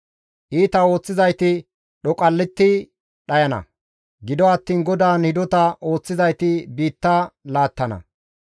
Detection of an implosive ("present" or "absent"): present